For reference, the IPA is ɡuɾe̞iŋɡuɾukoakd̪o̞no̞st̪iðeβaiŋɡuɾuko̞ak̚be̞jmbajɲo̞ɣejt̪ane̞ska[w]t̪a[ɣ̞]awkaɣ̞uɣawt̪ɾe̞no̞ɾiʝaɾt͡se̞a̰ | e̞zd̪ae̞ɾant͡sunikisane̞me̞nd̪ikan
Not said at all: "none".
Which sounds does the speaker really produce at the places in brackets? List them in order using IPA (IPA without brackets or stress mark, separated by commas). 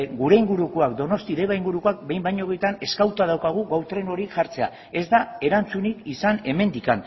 w, ð̞